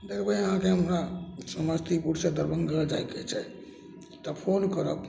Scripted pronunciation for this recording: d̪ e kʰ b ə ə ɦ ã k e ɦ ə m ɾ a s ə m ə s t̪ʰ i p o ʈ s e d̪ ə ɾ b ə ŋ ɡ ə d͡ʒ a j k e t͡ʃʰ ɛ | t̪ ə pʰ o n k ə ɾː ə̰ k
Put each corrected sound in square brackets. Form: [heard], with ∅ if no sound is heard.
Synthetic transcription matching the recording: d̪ e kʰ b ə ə ɦ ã k e ɦ ə m ɾ a s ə m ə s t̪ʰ i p [u] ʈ s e d̪ ə ɾ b ə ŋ ɡ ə d͡ʒ a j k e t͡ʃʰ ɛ | t̪ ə pʰ o n k ə [ɾ] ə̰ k